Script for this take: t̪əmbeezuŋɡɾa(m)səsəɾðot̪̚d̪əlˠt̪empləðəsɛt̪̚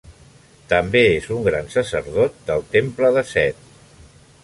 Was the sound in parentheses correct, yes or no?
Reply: no